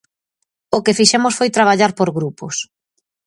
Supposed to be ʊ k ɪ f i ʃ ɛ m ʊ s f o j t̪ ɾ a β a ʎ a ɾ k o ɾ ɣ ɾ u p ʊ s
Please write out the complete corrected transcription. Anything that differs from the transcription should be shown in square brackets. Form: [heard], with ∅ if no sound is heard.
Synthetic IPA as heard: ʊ k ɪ f i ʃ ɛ m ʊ s f o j t̪ ɾ a β a ʎ a ɾ [p] o ɾ ɣ ɾ u p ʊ s